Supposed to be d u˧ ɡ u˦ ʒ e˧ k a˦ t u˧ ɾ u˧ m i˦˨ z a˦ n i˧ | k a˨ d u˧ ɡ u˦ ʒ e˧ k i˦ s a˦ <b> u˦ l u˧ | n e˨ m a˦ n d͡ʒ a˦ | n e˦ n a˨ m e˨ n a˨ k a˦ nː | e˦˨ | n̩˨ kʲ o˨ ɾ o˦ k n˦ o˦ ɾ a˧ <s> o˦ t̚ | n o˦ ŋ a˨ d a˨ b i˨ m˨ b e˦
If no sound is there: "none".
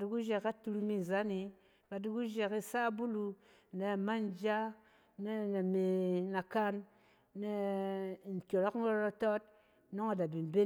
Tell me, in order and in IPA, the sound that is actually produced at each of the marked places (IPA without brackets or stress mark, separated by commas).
b, t